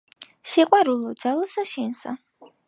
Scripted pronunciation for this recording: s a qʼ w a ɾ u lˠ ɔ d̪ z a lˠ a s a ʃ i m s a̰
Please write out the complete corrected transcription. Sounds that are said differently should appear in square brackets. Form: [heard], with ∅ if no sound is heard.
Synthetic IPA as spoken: s [i] qʼ w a ɾ u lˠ ɔ d̪ z a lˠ a s a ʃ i [n] s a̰